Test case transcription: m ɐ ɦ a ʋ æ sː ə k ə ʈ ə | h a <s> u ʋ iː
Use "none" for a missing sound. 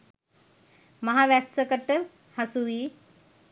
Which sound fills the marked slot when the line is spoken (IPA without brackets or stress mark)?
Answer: s